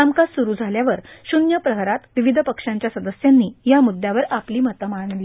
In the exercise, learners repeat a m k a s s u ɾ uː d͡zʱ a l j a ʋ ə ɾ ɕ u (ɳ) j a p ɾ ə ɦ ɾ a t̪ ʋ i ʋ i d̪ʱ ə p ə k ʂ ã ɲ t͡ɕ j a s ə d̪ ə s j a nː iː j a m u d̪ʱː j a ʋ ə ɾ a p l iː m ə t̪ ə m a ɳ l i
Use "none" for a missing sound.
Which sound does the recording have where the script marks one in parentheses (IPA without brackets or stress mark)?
n